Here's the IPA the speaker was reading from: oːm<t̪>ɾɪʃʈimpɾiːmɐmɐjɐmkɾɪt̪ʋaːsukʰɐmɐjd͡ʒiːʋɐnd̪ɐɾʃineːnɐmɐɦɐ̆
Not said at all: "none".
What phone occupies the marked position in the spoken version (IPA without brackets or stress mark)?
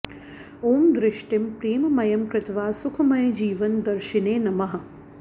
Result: d̪